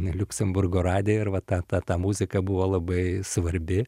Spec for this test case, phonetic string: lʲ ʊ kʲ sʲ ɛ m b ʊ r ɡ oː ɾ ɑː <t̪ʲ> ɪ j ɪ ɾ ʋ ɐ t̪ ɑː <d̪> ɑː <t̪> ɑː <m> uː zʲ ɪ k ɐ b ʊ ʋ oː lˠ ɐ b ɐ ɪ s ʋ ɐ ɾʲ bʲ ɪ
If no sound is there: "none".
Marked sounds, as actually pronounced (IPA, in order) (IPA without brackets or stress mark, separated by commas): d̪ʲ, t̪, t̪, m